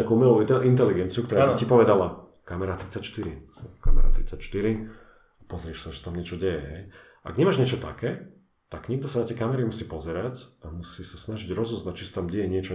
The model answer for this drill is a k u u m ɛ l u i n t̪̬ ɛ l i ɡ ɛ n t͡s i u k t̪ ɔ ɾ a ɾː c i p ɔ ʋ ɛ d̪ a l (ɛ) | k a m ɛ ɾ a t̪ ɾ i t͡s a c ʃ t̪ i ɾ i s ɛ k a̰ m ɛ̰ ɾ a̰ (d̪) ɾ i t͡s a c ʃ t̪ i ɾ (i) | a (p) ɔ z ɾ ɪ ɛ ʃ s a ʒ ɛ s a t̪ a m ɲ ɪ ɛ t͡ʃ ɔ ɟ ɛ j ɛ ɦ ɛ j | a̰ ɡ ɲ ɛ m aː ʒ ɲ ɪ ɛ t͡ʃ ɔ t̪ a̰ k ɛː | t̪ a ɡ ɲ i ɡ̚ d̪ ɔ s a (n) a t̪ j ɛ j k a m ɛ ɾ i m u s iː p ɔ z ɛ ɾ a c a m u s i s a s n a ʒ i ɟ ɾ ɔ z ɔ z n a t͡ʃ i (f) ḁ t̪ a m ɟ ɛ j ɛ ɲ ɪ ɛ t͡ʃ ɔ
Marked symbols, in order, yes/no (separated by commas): no, no, yes, yes, yes, no